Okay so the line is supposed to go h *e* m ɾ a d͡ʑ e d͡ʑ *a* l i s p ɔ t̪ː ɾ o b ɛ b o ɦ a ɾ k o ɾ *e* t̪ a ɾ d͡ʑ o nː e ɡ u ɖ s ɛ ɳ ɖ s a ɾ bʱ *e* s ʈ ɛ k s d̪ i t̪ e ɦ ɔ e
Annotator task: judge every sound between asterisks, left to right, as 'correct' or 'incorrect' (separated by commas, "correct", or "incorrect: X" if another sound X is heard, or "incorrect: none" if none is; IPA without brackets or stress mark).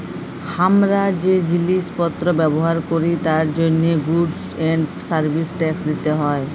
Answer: incorrect: a, incorrect: i, incorrect: i, incorrect: i